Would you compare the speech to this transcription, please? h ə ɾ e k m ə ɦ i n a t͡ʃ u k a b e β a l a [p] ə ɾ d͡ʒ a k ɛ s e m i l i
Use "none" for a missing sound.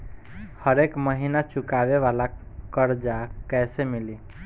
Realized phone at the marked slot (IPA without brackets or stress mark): k